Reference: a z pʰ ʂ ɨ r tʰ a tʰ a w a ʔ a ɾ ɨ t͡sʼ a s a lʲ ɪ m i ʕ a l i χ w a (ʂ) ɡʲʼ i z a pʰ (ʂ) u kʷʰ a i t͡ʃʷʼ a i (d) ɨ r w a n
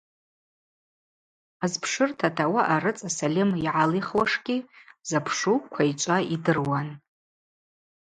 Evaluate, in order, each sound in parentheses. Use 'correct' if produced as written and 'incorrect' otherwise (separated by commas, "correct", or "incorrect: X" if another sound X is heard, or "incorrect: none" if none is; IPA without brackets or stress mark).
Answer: correct, correct, correct